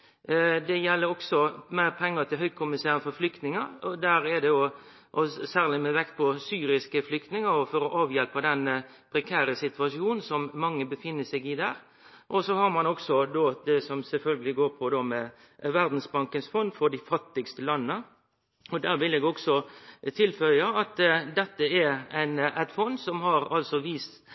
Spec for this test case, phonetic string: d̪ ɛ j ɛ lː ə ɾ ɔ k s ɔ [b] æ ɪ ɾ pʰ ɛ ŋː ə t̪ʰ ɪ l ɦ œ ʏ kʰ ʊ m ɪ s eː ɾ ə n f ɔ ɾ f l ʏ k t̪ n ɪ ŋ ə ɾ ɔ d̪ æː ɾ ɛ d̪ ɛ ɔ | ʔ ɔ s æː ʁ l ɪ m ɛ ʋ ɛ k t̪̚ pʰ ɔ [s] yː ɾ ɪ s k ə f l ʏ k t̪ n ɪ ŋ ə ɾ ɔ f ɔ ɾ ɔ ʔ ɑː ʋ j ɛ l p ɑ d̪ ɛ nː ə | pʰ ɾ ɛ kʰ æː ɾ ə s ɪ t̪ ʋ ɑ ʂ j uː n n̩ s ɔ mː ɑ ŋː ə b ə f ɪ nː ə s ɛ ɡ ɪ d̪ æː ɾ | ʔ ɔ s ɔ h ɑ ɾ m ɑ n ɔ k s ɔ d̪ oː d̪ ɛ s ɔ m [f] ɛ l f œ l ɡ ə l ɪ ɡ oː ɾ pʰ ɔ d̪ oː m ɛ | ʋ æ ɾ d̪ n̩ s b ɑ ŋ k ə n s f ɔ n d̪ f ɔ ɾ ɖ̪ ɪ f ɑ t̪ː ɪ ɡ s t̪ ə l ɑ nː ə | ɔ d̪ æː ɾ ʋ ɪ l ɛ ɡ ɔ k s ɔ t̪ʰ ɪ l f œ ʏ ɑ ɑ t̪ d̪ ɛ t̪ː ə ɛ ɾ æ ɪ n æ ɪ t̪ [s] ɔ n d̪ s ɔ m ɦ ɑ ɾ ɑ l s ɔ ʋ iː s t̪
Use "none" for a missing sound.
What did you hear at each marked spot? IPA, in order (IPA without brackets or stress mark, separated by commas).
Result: m, s, s, f